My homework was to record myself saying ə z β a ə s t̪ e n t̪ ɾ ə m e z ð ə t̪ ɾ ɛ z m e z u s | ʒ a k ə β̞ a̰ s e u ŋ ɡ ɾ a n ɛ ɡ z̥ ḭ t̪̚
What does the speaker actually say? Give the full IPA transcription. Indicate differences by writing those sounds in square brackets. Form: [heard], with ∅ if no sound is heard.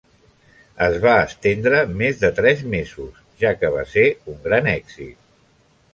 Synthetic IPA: ə z β a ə s t̪ e n [d̪] ɾ ə m e z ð ə t̪ ɾ ɛ z m e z u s | ʒ a k ə β̞ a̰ s e u ŋ ɡ ɾ a n ɛ ɡ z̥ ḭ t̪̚